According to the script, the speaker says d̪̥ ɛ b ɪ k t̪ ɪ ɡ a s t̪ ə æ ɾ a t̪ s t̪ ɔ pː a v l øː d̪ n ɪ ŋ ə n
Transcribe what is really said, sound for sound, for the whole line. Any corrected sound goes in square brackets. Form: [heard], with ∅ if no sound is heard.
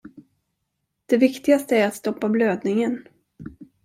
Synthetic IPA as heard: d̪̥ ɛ [v] ɪ k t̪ ɪ ɡ a s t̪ ə æ ɾ a t̪ s t̪ ɔ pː a [b] l øː d̪ n ɪ ŋ ə n

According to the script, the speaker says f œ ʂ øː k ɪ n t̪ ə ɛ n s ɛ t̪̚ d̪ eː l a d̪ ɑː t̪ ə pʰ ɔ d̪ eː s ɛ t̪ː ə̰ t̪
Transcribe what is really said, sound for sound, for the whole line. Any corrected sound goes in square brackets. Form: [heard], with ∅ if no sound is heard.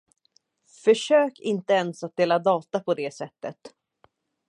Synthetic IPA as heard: f œ ʂ øː k ɪ n t̪ ə ɛ n s [a] t̪̚ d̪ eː l a d̪ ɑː t̪ [a] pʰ ɔ d̪ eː s ɛ t̪ː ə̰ t̪

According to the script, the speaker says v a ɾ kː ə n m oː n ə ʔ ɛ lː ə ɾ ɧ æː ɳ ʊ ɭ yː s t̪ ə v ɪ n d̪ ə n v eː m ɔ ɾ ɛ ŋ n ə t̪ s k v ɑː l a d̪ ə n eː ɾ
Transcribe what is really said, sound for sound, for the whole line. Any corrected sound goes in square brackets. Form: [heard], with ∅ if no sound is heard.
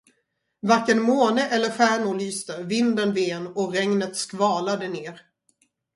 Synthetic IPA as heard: v a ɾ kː ə n m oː n ə ʔ ɛ lː ə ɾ ɧ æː ɳ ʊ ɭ yː s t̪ ə v ɪ n d̪ ə n v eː [n] ɔ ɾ ɛ ŋ n ə t̪ s k v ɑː l a d̪ ə n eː ɾ

